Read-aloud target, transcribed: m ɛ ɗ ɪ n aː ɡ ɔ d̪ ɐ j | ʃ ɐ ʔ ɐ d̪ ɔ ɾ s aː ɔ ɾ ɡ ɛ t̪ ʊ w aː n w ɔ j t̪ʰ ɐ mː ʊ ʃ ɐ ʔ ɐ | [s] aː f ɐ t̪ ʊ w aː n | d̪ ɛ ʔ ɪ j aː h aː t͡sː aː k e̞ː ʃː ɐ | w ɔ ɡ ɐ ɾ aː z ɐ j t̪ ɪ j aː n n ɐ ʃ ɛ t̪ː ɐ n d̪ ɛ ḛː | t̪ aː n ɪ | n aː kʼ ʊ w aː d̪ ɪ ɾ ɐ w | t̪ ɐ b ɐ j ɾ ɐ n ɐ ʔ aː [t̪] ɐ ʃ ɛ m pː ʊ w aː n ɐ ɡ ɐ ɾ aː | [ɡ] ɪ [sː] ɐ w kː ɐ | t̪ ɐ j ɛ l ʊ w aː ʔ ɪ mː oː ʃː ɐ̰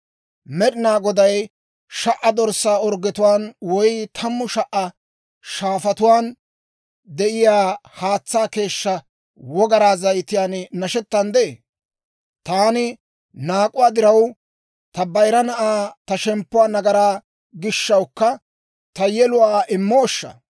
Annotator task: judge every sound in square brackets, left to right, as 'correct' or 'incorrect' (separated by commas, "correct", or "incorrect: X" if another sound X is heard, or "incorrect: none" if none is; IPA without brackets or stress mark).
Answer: incorrect: ʃ, correct, correct, incorrect: ʃː